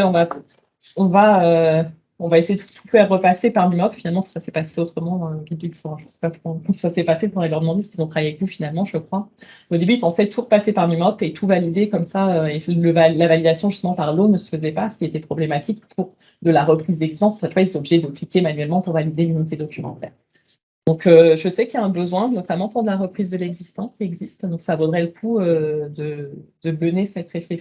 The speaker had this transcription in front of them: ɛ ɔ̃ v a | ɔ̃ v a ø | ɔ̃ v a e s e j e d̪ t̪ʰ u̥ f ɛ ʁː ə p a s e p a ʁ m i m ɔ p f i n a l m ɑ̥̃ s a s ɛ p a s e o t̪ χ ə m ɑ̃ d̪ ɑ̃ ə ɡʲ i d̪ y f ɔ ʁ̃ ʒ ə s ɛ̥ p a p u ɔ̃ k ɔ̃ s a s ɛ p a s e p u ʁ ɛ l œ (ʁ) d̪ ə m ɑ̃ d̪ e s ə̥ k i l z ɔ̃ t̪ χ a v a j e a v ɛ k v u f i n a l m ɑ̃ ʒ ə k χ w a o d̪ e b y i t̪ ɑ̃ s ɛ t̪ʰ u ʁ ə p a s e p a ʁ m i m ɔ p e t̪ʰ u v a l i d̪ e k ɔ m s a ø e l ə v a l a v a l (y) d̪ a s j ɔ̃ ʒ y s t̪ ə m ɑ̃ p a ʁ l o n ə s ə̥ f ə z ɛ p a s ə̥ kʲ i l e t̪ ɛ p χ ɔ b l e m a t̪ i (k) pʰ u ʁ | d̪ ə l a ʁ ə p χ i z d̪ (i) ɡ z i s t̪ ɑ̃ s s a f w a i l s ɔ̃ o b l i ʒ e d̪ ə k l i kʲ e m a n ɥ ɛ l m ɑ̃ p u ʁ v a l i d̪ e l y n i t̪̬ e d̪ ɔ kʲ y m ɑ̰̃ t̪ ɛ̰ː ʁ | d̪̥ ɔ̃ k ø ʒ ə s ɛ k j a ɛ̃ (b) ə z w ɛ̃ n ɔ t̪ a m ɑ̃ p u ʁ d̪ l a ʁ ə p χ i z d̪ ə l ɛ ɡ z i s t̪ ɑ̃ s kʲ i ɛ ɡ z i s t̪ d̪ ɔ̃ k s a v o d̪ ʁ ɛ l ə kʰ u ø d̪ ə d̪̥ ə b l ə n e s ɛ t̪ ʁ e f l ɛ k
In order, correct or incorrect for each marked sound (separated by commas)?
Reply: correct, incorrect, correct, incorrect, correct